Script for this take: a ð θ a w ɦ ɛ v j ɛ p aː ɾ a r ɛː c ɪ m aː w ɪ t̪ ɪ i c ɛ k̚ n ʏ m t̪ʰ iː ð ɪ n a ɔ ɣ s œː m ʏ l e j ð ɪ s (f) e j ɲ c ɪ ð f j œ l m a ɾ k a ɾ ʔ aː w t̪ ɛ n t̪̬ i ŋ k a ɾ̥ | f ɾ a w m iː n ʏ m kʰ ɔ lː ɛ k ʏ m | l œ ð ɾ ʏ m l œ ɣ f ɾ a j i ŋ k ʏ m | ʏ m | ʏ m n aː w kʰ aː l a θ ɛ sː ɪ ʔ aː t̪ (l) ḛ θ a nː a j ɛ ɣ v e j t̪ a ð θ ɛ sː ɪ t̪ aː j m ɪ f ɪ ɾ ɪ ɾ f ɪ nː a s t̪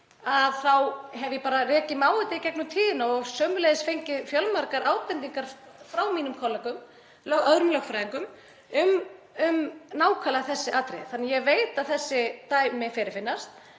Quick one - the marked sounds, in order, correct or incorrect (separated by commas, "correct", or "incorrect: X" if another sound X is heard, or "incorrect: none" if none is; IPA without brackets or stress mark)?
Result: correct, incorrect: ɾ